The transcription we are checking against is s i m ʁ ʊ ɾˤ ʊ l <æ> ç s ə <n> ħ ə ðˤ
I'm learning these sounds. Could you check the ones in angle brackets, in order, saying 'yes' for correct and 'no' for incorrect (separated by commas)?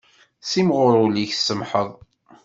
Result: no, no